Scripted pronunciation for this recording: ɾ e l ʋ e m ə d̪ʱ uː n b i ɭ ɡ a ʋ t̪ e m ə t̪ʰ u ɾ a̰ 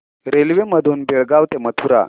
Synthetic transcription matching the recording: ɾ e l ʋ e m ə d̪ʱ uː n b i ɭ ɡ a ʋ t̪ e m ə t̪ʰ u ɾ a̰